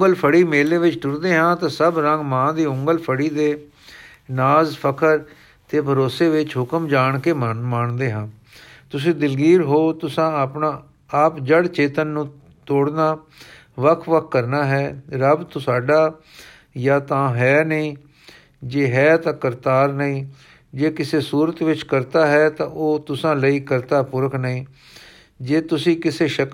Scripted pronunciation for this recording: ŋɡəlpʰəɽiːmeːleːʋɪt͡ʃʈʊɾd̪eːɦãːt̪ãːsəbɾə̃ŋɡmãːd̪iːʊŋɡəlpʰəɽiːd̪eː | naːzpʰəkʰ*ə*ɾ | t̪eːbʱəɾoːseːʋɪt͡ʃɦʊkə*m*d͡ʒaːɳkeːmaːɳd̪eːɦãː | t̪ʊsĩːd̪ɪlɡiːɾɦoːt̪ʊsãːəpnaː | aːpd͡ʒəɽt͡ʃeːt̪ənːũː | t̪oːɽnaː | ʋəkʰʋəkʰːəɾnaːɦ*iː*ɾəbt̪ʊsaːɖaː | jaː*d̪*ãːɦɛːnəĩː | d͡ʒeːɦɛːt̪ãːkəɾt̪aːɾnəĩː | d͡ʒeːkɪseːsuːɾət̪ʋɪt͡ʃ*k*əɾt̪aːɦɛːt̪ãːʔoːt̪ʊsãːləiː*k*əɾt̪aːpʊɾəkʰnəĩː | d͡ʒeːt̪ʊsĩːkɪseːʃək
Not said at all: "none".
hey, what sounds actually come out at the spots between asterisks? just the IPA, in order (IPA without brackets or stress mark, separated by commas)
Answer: ə, m, ɛː, t̪, k, k